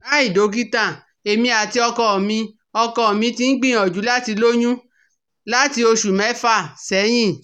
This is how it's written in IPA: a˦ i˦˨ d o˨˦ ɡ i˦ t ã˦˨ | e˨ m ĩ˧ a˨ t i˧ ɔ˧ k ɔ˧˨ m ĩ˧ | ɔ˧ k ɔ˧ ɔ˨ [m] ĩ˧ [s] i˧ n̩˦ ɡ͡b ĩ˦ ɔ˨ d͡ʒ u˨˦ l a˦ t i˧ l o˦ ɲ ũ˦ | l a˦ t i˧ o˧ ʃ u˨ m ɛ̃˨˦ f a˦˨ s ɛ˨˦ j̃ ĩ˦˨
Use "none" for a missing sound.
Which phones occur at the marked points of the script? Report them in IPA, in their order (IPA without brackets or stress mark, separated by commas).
m, t